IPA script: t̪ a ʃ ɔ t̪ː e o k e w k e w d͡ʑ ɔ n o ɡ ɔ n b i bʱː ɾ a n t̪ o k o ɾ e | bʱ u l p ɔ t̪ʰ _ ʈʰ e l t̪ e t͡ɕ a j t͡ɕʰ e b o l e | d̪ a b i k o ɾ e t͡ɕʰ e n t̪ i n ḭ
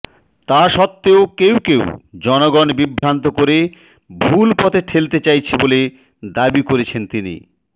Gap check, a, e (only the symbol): e